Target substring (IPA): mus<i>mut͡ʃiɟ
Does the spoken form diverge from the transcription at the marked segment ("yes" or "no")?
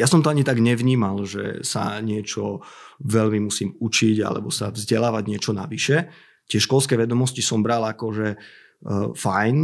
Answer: yes